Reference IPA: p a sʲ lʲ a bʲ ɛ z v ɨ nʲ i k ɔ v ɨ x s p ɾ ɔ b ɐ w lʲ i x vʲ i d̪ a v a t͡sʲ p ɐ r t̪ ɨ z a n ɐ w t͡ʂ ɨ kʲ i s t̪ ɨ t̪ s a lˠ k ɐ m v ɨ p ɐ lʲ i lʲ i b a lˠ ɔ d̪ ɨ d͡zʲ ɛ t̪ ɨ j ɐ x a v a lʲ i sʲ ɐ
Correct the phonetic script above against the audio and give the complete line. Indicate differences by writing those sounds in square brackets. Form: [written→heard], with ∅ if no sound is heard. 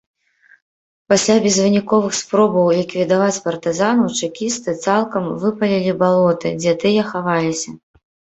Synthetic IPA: p a sʲ lʲ a bʲ ɛ z v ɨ nʲ i k ɔ v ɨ x s p ɾ ɔ b ɐ w lʲ i [x→k] vʲ i d̪ a v a t͡sʲ p ɐ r t̪ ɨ z a n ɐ w t͡ʂ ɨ kʲ i s t̪ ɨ t̪ s a lˠ k ɐ m v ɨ p ɐ lʲ i lʲ i b a lˠ ɔ [d̪→t̪] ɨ d͡zʲ ɛ t̪ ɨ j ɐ x a v a lʲ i sʲ ɐ